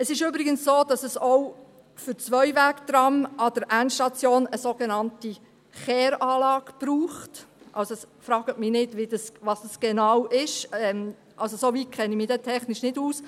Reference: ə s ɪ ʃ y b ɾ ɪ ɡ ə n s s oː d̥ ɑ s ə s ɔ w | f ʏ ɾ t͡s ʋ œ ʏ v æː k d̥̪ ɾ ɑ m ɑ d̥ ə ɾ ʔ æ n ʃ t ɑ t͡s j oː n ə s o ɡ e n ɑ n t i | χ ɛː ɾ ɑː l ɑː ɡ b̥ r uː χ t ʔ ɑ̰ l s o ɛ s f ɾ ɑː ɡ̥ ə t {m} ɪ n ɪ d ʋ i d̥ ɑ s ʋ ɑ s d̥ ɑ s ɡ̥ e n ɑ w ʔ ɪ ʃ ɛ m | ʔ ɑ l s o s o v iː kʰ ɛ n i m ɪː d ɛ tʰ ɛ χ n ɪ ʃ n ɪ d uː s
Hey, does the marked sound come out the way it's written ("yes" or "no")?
yes